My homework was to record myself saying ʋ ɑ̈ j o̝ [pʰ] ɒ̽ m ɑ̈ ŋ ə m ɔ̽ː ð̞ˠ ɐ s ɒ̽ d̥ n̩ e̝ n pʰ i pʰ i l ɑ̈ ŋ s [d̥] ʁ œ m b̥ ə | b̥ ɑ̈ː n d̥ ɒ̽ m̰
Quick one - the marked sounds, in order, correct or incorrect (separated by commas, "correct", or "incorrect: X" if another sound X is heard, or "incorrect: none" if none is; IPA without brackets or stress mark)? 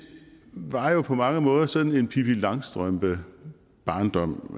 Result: correct, correct